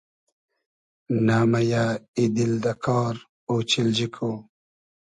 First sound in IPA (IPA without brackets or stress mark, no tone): n